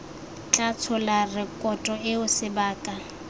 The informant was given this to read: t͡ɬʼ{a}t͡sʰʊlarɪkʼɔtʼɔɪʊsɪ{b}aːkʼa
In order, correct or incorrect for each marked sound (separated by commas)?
correct, correct